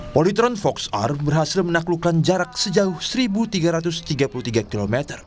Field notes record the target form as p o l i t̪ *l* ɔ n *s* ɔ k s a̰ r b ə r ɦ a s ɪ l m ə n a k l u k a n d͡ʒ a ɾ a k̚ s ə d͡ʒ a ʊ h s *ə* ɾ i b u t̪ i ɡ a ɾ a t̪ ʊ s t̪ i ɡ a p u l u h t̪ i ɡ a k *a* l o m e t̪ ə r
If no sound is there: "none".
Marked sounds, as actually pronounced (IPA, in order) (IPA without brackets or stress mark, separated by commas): ɾ, f, ə, i